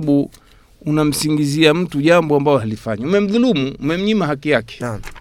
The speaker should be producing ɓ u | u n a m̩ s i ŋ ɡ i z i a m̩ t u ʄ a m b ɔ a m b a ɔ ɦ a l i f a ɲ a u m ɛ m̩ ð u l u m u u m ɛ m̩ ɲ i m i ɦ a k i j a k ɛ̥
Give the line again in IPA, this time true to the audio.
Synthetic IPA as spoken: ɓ u | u n a m̩ s i ŋ ɡ i z i a m̩ t u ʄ a m b ɔ a m b a ɔ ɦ a l i f a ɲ a u m ɛ m̩ ð u l u m u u m ɛ m̩ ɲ i m a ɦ a k i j a k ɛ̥